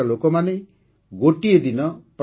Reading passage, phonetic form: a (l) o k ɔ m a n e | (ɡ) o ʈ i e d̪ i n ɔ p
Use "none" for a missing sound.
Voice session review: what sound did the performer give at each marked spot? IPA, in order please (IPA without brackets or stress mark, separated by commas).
l, ɡ